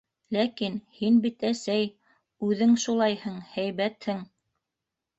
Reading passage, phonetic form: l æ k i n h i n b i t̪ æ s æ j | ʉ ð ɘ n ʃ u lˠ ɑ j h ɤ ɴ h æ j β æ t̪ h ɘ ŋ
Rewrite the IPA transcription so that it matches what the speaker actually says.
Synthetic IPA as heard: l æ k i n h i n b i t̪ æ s æ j | ʉ ð ɘ ŋ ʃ u lˠ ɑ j h ɤ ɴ h æ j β æ t̪ h ɘ ŋ